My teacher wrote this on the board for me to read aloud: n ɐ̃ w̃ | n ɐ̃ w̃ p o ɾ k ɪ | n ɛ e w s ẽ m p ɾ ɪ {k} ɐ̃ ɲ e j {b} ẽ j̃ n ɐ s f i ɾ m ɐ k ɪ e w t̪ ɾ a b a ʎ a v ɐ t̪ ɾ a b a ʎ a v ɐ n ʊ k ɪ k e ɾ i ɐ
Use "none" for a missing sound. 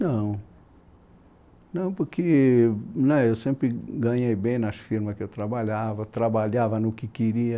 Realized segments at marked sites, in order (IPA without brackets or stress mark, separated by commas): ɡ, b